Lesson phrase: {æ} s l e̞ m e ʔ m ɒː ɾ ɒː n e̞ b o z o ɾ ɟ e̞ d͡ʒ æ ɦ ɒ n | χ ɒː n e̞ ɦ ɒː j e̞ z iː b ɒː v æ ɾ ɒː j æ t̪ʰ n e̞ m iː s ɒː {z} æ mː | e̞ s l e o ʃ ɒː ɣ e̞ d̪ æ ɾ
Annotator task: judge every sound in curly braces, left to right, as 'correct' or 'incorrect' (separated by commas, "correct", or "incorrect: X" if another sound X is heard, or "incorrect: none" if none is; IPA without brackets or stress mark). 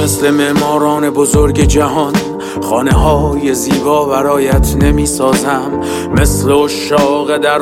incorrect: e, correct